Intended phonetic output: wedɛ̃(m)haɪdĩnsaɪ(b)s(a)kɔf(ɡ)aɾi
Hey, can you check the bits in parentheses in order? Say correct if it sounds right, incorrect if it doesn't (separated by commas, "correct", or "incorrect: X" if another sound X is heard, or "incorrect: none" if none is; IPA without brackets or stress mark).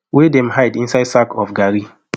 correct, incorrect: d, correct, correct